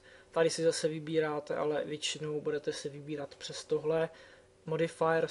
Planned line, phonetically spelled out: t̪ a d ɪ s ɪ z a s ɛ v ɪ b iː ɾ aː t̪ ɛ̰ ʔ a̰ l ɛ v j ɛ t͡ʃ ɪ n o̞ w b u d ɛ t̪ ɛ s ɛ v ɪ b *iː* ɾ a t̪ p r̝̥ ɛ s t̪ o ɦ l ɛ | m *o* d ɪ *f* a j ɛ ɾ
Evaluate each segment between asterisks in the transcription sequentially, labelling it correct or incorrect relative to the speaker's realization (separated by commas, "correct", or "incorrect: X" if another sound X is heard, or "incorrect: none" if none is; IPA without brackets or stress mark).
correct, correct, correct